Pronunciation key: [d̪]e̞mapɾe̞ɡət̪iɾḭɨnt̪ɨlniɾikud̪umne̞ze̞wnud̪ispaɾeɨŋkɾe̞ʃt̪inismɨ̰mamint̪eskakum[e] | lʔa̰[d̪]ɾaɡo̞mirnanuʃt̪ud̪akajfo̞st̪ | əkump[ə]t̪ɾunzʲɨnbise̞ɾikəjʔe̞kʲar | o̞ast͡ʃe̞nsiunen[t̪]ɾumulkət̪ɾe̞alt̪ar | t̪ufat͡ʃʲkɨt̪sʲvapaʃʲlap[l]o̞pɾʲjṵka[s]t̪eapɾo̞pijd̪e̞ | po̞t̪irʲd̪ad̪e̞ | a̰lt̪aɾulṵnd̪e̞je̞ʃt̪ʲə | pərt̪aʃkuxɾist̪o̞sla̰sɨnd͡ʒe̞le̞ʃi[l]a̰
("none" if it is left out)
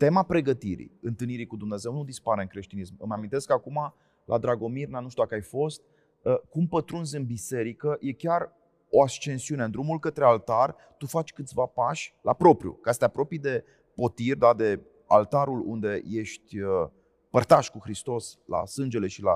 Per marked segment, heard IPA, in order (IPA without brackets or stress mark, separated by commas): t̪, a, d̪, ə, d̪, ɾ, s, l